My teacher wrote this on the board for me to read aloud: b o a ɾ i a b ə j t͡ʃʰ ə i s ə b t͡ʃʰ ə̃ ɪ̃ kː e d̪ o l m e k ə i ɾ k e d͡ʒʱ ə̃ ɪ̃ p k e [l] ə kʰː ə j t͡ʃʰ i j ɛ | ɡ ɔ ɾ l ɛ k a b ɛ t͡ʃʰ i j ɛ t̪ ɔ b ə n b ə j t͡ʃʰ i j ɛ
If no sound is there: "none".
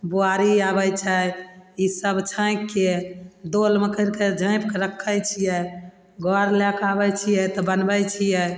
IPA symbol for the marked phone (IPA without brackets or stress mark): ɾ